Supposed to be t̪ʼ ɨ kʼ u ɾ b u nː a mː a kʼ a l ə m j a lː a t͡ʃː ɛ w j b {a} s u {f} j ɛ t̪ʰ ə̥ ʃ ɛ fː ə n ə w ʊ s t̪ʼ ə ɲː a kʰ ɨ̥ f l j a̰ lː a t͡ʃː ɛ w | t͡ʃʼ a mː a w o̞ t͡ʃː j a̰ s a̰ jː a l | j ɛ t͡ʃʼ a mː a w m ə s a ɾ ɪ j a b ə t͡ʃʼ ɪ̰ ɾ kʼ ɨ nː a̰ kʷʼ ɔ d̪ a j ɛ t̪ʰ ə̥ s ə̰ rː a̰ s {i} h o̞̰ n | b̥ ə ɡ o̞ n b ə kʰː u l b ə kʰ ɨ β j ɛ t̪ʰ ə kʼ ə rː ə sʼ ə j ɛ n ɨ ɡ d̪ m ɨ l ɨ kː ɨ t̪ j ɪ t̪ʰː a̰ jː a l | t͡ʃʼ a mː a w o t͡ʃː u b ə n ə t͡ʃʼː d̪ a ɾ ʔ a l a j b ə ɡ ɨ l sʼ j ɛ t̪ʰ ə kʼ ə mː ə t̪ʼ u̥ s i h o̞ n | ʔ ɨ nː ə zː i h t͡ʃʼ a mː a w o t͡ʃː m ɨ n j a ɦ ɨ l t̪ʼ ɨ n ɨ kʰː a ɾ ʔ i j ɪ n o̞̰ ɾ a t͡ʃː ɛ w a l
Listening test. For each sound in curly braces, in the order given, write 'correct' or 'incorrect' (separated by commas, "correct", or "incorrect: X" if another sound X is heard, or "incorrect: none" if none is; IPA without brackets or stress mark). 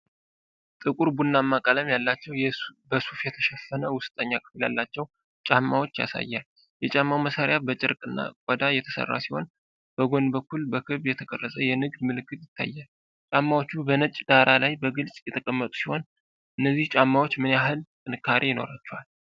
incorrect: ə, correct, correct